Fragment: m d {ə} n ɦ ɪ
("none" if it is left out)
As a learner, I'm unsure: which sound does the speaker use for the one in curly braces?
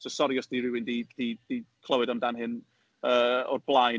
a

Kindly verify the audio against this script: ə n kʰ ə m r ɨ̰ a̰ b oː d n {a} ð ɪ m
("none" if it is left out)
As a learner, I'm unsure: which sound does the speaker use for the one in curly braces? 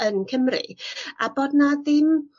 a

